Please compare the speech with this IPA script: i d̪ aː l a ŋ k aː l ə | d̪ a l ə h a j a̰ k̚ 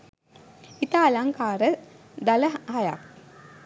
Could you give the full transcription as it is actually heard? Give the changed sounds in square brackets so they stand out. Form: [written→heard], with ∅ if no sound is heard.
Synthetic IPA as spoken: i [d̪→t̪] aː l a ŋ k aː [l→ɾ] ə | d̪ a l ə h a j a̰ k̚